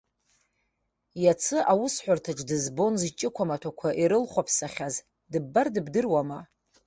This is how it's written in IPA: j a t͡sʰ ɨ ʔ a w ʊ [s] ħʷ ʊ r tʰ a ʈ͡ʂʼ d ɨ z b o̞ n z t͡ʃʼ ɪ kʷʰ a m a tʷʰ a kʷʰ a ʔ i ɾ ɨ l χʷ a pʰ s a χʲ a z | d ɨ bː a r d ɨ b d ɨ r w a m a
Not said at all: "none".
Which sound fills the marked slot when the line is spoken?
s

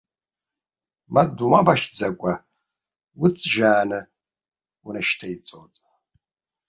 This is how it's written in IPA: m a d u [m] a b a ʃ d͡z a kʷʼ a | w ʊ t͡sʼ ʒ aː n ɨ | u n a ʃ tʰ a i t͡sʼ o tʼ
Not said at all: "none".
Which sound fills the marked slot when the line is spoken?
m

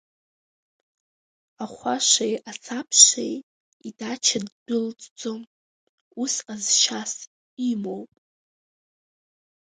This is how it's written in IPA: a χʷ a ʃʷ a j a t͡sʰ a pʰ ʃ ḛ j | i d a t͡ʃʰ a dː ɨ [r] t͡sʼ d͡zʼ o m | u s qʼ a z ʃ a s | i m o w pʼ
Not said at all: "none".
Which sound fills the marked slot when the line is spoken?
l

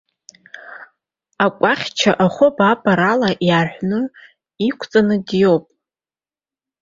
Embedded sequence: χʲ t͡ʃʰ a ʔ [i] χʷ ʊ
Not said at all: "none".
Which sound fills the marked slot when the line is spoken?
a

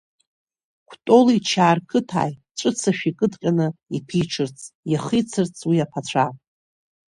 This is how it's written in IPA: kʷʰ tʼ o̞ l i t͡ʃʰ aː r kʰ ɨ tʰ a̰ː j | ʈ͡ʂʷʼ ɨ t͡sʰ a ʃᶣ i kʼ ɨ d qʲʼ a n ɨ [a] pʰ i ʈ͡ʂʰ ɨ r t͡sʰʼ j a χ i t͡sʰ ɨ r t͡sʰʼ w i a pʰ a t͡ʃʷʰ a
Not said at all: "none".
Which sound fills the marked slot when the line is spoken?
i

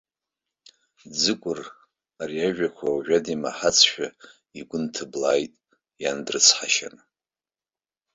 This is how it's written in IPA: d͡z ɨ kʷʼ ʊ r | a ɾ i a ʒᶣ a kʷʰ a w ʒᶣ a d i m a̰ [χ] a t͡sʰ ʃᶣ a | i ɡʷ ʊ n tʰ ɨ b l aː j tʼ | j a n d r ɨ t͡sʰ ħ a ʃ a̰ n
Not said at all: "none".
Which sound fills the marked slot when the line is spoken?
ħ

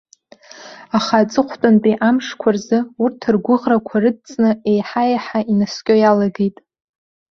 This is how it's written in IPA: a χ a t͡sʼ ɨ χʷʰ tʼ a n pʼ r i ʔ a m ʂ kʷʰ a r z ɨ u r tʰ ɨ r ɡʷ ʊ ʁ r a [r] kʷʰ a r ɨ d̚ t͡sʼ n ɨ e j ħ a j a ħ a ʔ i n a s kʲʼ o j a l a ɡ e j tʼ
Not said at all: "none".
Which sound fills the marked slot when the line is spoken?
none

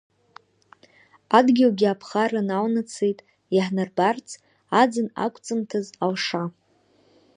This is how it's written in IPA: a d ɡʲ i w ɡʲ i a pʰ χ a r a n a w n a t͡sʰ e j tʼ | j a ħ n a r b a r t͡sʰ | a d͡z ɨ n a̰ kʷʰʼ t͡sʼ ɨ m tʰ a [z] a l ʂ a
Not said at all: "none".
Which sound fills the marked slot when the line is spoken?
z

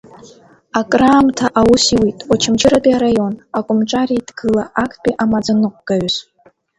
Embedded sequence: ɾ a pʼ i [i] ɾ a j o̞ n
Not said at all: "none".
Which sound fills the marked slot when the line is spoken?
a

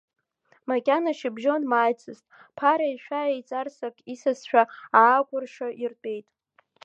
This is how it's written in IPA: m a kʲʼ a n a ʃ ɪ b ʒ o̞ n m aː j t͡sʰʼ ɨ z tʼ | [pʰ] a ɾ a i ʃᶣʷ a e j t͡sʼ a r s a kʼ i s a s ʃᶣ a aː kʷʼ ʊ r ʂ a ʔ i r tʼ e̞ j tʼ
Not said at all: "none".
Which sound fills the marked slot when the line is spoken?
pʰ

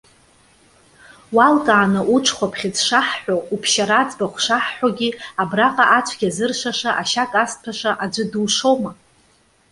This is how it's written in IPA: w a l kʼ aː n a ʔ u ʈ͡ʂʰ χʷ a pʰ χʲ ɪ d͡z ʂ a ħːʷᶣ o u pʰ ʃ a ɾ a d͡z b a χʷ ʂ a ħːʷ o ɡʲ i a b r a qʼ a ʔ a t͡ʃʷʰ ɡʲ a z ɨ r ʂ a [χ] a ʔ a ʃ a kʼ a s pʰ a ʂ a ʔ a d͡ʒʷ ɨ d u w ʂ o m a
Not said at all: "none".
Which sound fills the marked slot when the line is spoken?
ʂ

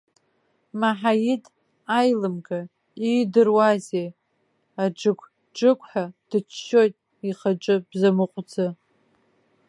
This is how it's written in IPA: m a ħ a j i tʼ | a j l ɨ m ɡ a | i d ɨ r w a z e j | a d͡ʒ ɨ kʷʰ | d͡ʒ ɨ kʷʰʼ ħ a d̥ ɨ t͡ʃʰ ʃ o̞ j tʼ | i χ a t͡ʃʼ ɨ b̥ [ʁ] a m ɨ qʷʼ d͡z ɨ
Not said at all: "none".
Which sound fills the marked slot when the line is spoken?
z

